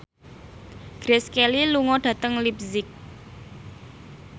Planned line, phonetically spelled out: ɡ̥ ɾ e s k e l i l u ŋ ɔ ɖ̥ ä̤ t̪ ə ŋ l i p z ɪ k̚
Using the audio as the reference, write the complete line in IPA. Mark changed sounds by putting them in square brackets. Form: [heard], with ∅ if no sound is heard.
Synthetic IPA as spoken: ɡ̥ ɾ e s k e l i l u ŋ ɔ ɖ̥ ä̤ t̪ ə ŋ l i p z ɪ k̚